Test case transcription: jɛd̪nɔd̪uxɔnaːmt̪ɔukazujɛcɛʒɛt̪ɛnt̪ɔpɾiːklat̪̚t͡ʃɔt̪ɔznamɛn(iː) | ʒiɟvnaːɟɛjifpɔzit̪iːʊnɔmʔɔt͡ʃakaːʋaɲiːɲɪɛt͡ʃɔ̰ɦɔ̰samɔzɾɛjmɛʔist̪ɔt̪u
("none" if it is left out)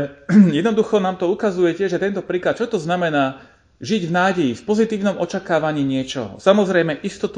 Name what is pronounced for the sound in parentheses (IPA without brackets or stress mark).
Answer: aː